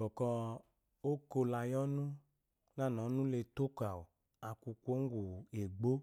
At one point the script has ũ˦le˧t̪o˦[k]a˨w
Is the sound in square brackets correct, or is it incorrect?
correct